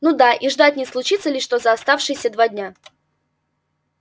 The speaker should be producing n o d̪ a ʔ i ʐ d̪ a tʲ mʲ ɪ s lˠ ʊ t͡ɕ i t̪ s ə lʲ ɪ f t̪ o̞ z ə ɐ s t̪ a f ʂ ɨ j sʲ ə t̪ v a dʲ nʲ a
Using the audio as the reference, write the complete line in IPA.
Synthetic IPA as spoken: n u d̪ a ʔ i ʐ d̪ a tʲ nʲ ɪ s lˠ ʊ t͡ɕ i t̪ s ə lʲ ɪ ʂ t̪ o̞ z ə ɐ s t̪ a f ʂ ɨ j sʲ ə d̪ v a dʲ nʲ a